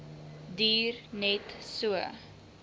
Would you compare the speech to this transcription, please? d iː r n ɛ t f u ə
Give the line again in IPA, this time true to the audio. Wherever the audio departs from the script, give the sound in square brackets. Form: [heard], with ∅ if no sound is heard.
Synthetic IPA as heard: d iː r n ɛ t [s] u ə